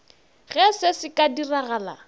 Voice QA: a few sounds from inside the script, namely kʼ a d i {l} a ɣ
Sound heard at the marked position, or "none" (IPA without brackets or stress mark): r